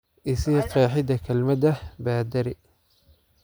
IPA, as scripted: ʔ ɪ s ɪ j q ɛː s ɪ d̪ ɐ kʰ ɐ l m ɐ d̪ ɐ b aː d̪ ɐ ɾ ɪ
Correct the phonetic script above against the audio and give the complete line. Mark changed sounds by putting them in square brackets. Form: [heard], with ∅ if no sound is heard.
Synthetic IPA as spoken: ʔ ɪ s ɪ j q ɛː [ħ] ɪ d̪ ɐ kʰ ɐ l m ɐ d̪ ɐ b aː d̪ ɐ ɾ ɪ